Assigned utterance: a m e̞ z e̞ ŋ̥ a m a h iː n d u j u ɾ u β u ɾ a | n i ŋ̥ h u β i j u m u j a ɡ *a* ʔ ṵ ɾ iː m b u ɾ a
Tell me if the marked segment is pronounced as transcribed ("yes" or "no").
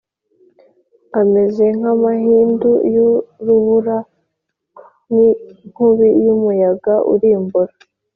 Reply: yes